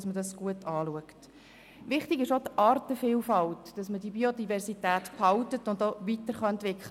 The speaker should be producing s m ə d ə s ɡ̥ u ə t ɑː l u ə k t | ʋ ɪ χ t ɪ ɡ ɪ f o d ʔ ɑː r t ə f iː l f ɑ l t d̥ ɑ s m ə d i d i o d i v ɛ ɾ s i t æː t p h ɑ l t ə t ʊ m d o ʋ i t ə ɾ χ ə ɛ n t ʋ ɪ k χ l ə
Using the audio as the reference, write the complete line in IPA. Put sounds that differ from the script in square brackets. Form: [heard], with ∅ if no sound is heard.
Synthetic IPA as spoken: s m ə d [ɑ] s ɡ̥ u ə t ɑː l u ə k t | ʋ ɪ χ t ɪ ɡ ɪ [ʃ] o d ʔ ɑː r t ə f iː l f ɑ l t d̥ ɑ s m ə d i [b] i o d i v ɛ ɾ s i t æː t p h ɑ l t ə t ʊ [n] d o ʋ i t ə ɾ χ [ɑ] ɛ n t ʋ ɪ k χ l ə